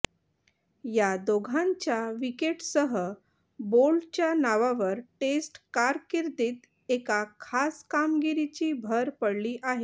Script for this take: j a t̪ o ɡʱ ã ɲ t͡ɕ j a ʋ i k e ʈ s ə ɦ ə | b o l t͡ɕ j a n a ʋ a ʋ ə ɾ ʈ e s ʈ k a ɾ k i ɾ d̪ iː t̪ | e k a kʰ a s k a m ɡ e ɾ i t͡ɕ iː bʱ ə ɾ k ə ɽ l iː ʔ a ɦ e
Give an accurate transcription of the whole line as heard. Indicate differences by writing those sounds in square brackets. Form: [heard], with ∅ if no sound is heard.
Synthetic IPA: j a [d̪] o ɡʱ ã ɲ t͡ɕ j a ʋ i k e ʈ s ə ɦ ə | b o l t͡ɕ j a n a ʋ a ʋ ə ɾ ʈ e s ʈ k a ɾ k i ɾ d̪ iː t̪ | e k a kʰ a s k a m ɡ [i] ɾ i t͡ɕ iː bʱ ə ɾ [p] ə ɽ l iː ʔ a ɦ e